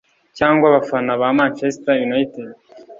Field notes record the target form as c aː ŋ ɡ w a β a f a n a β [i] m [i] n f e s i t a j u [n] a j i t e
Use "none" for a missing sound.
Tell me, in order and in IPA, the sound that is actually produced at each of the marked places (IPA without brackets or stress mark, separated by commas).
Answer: a, a, n